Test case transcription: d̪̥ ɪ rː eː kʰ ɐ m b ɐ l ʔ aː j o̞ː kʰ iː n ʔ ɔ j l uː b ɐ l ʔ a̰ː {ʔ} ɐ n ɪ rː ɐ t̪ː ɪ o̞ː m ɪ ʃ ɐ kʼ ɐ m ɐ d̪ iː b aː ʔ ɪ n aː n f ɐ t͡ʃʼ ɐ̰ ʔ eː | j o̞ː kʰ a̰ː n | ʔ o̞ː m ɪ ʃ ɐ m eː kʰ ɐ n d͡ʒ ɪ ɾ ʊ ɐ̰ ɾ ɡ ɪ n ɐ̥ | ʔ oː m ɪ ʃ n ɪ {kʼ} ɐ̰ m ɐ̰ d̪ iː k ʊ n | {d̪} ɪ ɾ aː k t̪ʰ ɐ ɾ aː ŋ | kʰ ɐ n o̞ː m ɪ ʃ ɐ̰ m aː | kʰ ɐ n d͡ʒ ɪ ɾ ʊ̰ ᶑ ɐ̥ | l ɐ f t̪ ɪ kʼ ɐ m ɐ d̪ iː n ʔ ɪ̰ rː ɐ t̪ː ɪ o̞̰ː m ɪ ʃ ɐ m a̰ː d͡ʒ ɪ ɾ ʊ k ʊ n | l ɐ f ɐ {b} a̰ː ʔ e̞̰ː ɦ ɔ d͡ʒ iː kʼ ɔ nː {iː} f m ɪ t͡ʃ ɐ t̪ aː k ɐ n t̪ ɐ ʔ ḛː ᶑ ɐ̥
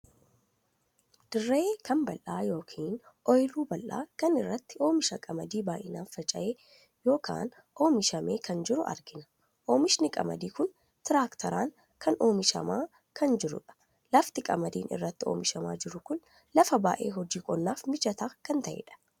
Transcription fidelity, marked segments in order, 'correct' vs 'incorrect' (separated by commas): incorrect, correct, incorrect, correct, incorrect